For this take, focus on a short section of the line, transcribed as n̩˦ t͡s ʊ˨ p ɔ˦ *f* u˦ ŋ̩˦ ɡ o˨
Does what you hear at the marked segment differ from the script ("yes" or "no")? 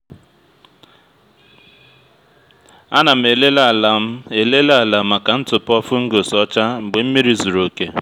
no